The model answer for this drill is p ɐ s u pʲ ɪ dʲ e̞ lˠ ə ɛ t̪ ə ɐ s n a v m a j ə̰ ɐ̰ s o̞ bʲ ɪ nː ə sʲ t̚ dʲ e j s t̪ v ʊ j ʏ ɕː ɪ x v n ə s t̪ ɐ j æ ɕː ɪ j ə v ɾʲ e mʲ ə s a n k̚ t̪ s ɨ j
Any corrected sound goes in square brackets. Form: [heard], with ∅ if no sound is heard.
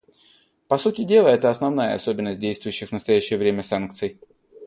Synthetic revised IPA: p ɐ s u [tʲ] ɪ dʲ e̞ lˠ ə ɛ t̪ ə ɐ s n [ɐ] v [n] a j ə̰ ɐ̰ s o̞ bʲ ɪ nː ə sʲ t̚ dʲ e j s t̪ v ʊ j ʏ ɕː ɪ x v n ə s t̪ ɐ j æ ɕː ɪ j ə v ɾʲ e mʲ ə s a n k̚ t̪ s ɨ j